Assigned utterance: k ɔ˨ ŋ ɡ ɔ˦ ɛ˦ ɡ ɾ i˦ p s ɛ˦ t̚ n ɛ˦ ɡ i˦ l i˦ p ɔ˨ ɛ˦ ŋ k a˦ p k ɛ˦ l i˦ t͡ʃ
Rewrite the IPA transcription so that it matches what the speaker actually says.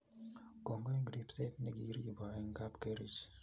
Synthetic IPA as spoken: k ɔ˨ ŋ ɡ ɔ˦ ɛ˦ ɡ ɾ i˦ p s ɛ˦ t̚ n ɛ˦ ɡ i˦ ɾ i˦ b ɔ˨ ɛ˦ ŋ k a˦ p k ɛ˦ ɾ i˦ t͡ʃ